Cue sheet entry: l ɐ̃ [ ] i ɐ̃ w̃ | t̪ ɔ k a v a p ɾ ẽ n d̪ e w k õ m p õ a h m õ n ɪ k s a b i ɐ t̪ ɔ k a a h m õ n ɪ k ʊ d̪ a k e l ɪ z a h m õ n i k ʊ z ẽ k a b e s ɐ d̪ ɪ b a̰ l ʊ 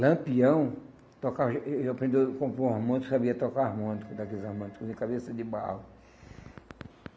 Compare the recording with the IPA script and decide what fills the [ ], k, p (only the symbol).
p